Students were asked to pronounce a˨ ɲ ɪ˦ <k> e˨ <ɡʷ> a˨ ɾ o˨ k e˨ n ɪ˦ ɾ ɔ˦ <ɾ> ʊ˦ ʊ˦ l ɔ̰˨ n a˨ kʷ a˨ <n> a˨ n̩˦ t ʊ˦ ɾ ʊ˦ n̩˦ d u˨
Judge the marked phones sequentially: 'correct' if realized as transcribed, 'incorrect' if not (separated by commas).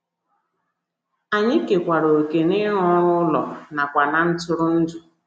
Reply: correct, incorrect, correct, correct